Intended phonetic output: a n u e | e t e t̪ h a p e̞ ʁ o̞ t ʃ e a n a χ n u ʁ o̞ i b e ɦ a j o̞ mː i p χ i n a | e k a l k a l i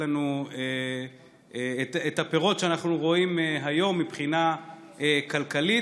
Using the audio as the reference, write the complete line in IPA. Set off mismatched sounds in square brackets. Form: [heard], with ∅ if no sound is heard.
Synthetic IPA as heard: a n u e | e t e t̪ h a p e̞ ʁ o̞ t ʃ e a n a χ n u ʁ o̞ i [m] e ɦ a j o̞ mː i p χ i n a | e k a l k a l i